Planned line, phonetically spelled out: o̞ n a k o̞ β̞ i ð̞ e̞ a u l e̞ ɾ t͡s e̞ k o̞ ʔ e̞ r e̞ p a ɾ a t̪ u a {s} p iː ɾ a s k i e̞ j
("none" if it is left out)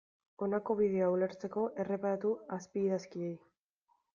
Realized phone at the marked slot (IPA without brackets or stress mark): s